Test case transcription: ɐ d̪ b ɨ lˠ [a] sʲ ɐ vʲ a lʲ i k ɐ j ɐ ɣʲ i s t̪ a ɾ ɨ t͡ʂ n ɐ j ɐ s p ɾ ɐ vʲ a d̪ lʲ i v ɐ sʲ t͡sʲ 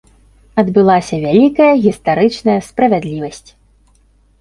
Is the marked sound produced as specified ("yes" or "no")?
yes